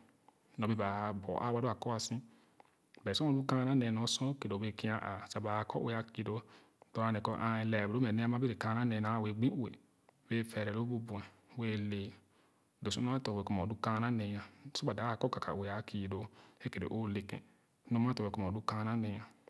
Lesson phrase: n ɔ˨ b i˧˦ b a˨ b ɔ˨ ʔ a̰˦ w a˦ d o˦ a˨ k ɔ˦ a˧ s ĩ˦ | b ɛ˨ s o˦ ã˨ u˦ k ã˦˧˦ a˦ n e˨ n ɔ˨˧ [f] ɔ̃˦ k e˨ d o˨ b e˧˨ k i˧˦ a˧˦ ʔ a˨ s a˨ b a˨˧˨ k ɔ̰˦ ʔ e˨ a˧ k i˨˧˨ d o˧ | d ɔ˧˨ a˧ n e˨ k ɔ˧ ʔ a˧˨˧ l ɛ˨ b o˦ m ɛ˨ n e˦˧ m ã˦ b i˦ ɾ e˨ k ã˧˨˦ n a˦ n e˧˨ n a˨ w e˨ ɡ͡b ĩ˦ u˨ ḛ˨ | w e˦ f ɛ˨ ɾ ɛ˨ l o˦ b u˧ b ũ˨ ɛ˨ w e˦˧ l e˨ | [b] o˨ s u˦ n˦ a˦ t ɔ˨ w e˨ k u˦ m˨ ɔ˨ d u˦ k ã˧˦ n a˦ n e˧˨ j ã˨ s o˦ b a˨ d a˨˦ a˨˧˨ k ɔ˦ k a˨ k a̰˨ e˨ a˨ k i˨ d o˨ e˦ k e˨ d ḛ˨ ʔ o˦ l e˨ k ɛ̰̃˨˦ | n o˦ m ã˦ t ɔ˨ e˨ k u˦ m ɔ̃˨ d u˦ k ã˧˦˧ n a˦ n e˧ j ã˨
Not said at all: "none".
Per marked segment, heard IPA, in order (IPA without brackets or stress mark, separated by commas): s, d